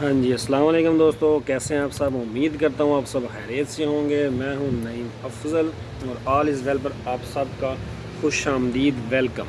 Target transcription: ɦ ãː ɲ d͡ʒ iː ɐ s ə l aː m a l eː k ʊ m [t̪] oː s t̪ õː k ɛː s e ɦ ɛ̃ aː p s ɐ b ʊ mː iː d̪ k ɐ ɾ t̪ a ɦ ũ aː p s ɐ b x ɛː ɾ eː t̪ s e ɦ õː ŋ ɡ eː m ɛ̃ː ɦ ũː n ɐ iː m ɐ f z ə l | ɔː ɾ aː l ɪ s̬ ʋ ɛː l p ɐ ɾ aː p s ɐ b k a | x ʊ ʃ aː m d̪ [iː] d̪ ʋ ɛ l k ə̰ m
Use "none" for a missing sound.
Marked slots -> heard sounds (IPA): d̪, iː

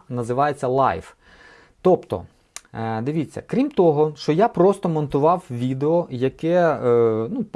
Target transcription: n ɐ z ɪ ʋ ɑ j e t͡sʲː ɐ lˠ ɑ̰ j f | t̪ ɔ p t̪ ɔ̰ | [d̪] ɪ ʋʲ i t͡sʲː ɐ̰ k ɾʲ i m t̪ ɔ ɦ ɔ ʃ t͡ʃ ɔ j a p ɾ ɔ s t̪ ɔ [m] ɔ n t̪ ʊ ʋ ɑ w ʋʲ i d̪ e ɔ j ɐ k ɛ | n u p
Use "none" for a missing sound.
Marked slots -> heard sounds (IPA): d̪, m

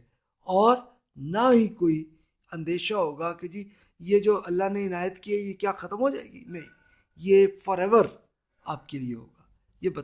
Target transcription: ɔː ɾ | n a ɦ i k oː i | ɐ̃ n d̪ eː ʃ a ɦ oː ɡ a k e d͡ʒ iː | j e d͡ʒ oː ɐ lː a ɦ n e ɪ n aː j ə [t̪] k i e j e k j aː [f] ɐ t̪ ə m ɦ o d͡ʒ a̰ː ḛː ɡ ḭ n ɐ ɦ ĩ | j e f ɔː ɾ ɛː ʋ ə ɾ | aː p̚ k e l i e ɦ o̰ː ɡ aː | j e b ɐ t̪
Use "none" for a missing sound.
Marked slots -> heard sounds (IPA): t̪, x

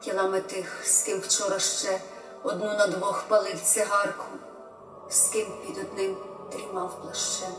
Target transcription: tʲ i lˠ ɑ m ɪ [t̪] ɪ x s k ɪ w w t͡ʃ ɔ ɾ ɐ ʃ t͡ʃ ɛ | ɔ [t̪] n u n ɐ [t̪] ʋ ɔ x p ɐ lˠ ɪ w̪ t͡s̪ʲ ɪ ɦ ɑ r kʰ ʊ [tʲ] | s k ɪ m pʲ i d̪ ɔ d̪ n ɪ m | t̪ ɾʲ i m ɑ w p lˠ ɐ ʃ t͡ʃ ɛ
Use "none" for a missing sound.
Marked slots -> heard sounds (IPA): t̪, d̪, d̪, none

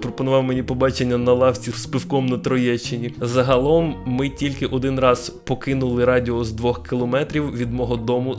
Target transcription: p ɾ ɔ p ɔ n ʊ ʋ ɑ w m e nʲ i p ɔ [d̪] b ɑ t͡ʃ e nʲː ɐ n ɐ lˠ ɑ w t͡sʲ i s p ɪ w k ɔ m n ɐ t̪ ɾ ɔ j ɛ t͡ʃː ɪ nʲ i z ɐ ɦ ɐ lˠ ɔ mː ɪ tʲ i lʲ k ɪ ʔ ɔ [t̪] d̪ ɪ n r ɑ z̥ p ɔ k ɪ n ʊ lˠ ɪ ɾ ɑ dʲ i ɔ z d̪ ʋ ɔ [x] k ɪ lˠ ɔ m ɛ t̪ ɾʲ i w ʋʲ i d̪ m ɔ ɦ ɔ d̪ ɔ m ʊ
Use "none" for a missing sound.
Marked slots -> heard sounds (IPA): none, none, x

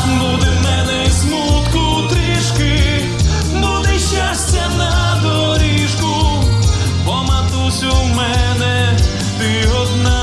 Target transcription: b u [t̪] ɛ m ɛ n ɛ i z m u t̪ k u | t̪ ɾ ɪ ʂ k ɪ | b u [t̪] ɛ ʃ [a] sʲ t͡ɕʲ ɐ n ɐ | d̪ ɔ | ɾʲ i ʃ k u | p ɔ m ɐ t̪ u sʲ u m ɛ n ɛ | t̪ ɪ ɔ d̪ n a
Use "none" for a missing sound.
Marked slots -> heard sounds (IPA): d̪, d̪, a

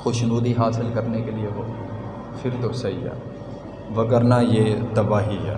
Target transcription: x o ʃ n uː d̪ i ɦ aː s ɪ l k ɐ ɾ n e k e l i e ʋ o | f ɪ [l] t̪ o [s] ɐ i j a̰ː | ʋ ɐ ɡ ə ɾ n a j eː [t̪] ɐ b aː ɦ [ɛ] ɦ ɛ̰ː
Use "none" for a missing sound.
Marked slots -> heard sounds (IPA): ɾ, s, t̪, i

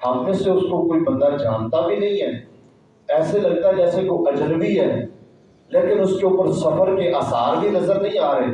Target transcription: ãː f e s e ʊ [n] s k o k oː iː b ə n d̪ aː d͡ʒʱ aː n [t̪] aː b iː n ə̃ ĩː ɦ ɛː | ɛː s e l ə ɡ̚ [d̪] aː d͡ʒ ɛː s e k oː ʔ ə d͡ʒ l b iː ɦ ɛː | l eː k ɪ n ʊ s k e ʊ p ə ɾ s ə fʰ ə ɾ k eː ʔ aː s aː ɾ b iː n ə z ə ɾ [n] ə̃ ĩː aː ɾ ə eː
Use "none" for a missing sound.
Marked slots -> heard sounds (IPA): none, t̪, t̪, n

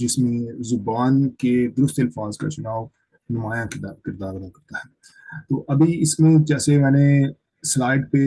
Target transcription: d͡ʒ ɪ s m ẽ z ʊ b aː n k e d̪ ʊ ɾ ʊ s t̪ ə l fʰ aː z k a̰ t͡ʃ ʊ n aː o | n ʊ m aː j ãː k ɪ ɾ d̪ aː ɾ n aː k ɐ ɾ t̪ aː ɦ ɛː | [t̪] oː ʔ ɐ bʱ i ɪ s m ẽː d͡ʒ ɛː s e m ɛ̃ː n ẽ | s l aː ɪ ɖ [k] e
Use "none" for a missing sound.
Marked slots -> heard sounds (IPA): t̪, p

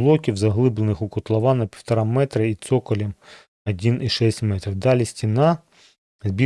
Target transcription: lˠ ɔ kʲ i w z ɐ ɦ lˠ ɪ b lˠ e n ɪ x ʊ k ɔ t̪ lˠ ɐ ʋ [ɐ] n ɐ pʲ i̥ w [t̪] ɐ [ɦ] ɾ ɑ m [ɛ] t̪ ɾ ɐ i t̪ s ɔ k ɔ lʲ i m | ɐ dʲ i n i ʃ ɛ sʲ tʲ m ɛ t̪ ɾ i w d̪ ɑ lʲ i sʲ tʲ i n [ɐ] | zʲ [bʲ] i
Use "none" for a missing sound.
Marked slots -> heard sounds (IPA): ɑ, t̪, none, ɛ, ɑ, bʲ

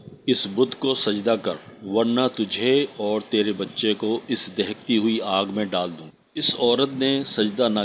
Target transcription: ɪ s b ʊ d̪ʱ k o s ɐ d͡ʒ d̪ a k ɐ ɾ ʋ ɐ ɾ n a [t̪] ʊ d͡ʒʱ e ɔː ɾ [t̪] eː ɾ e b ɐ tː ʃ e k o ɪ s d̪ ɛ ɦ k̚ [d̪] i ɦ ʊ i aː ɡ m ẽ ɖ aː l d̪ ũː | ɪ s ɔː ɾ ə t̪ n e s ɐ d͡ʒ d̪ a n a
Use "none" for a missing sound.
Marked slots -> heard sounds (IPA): t̪, t̪, t̪

